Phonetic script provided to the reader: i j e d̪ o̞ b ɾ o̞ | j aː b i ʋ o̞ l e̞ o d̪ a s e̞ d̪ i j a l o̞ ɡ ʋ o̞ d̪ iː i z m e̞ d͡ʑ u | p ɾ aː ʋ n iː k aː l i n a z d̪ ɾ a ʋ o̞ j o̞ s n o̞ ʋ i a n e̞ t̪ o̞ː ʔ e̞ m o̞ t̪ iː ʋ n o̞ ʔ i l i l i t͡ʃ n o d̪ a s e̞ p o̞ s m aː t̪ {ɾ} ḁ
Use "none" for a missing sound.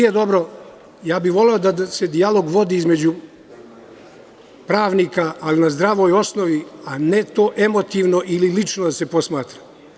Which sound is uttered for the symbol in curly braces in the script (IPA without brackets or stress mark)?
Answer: ɾ